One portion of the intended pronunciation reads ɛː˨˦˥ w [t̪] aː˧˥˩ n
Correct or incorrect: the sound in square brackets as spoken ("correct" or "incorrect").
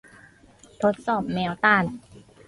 correct